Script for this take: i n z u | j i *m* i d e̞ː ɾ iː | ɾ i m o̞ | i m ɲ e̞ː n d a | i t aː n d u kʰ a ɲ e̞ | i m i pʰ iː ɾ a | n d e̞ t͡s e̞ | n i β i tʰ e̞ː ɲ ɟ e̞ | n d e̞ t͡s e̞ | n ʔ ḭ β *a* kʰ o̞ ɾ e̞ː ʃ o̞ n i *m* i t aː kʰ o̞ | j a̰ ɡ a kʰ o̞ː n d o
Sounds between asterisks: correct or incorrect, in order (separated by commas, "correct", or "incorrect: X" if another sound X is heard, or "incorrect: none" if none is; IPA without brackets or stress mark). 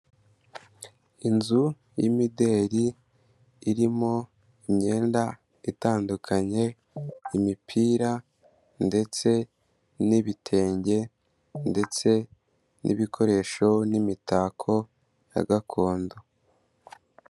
correct, incorrect: i, correct